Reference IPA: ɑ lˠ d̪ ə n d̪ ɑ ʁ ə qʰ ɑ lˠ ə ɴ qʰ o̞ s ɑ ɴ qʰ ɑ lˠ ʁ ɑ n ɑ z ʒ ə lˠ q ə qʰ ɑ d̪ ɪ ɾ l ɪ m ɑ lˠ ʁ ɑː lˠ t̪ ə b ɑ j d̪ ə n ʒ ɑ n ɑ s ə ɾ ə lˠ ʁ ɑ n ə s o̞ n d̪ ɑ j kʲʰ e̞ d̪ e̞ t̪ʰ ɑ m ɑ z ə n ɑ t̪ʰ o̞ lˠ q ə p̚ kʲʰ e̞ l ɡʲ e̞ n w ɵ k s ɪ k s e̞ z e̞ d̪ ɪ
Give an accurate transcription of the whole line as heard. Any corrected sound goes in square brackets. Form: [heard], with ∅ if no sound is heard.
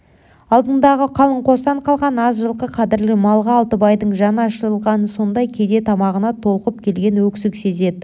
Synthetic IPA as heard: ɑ lˠ d̪ ə n d̪ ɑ ʁ ə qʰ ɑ lˠ ə ɴ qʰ o̞ s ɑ ɴ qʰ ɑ lˠ ʁ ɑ n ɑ z ʒ ə lˠ q ə qʰ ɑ d̪ ɪ ɾ l ɪ m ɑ lˠ ʁ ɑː lˠ t̪ ə b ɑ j d̪ ə [ɴ] ʒ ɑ n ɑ [ʃ] ə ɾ ə lˠ ʁ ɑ n ə s o̞ n d̪ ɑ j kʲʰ e̞ d̪ e̞ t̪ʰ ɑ m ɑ [ʁ] ə n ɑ t̪ʰ o̞ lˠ q ə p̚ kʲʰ e̞ l ɡʲ e̞ n w ɵ k s ɪ k s e̞ z e̞ d̪ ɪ